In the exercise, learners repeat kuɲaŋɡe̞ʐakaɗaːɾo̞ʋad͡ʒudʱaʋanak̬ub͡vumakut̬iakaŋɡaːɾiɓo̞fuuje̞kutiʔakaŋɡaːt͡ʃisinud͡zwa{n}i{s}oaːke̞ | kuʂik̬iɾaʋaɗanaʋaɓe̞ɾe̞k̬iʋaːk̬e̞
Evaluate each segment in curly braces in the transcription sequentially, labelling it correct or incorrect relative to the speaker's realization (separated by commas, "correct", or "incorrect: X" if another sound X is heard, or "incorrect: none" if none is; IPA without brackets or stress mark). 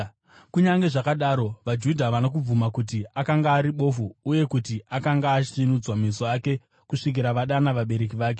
incorrect: m, correct